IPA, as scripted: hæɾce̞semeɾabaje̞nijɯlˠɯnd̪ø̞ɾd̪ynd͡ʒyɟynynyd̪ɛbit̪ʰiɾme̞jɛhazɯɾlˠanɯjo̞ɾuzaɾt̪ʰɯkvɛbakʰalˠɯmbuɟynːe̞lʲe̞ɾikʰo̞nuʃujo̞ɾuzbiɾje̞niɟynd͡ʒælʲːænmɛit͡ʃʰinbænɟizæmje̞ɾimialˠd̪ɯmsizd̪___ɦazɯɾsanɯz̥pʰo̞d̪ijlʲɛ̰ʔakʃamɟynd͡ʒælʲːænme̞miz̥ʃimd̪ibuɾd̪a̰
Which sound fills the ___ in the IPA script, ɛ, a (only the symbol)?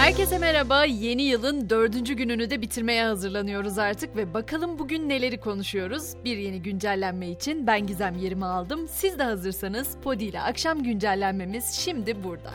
ɛ